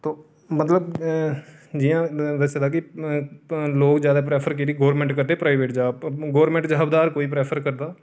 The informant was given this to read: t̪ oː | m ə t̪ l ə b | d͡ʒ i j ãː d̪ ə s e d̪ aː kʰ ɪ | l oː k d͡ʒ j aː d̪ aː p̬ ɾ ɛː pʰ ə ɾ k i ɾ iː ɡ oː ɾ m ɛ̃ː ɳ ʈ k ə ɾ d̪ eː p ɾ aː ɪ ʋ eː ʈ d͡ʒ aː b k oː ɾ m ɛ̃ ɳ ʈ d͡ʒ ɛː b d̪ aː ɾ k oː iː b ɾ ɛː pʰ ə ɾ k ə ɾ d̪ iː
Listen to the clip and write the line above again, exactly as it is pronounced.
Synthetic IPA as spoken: t̪ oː | m ə t̪ l ə b | d͡ʒ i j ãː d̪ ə s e d̪ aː k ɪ | l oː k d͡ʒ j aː d̪ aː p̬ ɾ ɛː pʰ ə ɾ k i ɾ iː ɡ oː ɾ m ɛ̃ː ɳ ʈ k ə ɾ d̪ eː p ɾ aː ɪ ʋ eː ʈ d͡ʒ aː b ɡ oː ɾ m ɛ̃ ɳ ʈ d͡ʒ aː b d̪ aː ɾ k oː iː p ɾ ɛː pʰ ə ɾ k ə ɾ d̪ aː